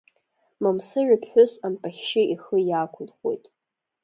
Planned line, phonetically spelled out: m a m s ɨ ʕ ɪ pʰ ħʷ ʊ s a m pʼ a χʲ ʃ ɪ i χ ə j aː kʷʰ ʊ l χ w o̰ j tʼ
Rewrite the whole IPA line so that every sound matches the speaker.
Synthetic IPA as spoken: m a m s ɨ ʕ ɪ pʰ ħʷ ʊ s a m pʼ a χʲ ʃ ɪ i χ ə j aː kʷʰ ʊ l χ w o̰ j tʼ